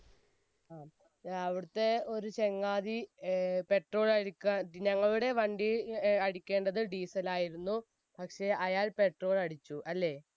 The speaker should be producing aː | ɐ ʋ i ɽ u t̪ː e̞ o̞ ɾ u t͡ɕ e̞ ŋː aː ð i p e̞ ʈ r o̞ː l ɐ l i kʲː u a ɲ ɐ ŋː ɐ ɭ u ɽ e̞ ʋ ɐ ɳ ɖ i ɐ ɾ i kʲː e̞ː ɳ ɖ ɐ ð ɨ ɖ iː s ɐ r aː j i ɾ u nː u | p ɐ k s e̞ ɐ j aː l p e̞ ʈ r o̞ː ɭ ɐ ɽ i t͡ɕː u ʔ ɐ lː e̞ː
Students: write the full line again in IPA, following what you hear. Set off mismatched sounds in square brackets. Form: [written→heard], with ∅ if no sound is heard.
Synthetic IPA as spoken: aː | ɐ ʋ i ɽ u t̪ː e̞ o̞ ɾ u t͡ɕ e̞ ŋː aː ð i p e̞ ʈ r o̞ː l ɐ [l→ɽ] i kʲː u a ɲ ɐ ŋː ɐ ɭ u ɽ e̞ ʋ ɐ ɳ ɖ i ɐ [ɾ→ɽ] i kʲː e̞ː ɳ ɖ ɐ ð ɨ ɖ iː s ɐ [r→l] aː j i ɾ u nː u | p ɐ k [s→ʂ] e̞ ɐ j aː l p e̞ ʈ r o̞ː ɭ ɐ ɽ i t͡ɕː u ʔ ɐ lː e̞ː